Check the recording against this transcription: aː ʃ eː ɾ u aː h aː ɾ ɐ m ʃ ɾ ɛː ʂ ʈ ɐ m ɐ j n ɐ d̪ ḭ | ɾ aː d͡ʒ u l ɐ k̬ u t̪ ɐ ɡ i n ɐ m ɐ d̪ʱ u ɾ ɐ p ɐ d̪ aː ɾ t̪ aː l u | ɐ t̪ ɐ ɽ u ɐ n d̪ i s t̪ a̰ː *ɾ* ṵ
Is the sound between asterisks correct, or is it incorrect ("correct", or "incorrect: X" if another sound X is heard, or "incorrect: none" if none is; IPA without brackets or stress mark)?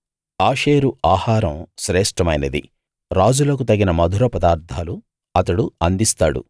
incorrect: ɽ